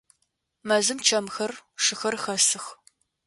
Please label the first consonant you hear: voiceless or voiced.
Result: voiced